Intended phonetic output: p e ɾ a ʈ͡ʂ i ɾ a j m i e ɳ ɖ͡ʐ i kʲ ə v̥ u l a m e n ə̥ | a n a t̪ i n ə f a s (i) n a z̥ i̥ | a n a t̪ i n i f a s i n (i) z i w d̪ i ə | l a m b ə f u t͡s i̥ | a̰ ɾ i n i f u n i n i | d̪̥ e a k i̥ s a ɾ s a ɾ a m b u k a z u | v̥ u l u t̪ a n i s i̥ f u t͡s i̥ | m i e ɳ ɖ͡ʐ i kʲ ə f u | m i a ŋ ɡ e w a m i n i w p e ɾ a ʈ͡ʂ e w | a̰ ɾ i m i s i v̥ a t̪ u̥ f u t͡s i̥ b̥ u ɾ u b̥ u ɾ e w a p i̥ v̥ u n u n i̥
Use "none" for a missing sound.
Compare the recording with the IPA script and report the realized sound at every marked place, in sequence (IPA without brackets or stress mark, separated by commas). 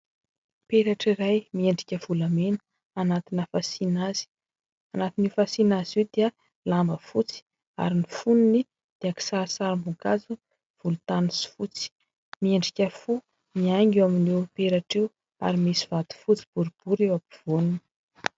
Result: i, a